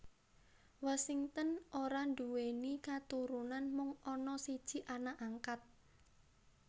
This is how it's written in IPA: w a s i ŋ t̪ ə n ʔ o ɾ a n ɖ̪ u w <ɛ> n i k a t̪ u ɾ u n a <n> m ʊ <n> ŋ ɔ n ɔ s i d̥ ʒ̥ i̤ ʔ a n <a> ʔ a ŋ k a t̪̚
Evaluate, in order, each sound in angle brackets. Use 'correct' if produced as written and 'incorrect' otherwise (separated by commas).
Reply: incorrect, correct, incorrect, correct